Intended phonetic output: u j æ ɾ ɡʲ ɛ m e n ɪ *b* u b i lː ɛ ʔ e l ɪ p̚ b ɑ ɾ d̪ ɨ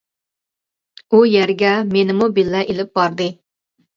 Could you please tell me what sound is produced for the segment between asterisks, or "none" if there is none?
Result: m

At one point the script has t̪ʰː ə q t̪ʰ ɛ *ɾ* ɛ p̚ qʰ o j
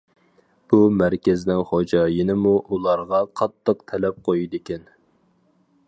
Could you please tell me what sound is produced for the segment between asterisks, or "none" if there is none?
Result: l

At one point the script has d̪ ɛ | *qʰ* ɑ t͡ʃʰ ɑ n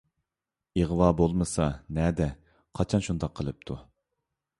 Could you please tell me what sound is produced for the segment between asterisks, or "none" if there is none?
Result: qʰ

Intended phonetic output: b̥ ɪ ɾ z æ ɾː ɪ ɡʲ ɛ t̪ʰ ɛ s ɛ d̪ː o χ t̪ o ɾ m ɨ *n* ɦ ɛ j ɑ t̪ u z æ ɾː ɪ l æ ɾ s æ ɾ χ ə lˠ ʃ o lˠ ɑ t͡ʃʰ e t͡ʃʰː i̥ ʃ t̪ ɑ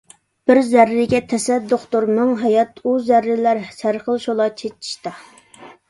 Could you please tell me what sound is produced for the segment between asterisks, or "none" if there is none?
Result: ŋ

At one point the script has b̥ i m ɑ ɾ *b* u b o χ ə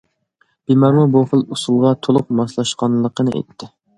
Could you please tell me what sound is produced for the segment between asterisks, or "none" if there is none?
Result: m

